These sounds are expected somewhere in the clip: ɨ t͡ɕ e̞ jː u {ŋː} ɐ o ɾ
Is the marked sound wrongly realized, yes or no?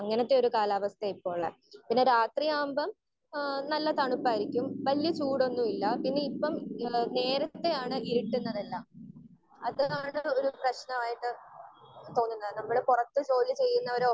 yes